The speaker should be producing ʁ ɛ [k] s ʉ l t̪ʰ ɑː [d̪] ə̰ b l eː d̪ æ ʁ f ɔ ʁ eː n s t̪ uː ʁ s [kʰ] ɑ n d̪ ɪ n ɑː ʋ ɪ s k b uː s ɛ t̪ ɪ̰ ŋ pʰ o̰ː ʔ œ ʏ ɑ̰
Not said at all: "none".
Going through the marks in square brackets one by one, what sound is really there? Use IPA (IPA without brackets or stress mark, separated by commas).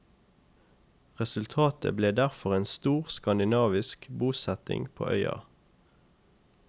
none, t̪, k